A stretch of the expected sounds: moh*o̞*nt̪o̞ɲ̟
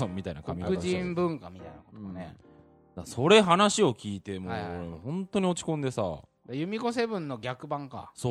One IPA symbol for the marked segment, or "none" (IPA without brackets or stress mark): õ̞